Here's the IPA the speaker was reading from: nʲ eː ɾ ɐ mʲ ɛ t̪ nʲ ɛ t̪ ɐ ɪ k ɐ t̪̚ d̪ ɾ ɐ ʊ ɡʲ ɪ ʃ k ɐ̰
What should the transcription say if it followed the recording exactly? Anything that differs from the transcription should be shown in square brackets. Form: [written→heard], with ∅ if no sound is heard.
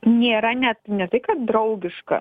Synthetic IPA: nʲ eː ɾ ɐ [mʲ→nʲ] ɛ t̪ nʲ ɛ t̪ ɐ ɪ k ɐ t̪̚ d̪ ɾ ɐ ʊ ɡʲ ɪ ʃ k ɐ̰

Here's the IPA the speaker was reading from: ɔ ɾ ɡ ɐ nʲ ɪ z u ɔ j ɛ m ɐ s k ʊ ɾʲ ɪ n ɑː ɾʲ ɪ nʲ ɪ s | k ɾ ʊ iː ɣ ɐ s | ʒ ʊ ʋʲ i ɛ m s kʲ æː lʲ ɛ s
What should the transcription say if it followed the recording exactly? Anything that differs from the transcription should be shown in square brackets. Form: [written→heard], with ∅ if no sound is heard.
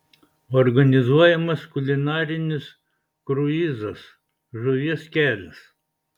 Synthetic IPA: ɔ ɾ ɡ ɐ nʲ ɪ z u ɔ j ɛ m ɐ s k ʊ [ɾʲ→lʲ] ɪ n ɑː ɾʲ ɪ nʲ ɪ s | k ɾ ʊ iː [ɣ→z] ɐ s | ʒ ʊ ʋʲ i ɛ [m→∅] s kʲ æː lʲ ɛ s

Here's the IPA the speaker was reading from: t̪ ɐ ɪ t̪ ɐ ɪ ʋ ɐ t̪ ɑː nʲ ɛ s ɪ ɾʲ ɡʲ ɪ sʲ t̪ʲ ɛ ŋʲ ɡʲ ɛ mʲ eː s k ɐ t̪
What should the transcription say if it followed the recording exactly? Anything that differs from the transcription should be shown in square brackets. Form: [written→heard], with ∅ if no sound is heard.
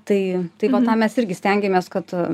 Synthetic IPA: t̪ ɐ ɪ t̪ ɐ ɪ ʋ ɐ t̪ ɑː [nʲ→mʲ] ɛ s ɪ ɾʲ ɡʲ ɪ sʲ t̪ʲ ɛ ŋʲ ɡʲ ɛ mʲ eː s k ɐ t̪

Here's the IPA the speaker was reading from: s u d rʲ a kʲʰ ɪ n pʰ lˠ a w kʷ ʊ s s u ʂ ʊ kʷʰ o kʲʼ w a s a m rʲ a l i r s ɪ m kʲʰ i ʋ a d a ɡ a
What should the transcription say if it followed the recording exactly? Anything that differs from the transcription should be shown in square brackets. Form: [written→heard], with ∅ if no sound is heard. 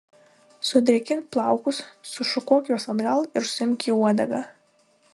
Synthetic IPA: s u d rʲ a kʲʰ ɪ n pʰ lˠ a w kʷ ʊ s s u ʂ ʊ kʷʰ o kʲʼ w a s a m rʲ a l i r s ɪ m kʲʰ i [ʋ→w] a d a ɡ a

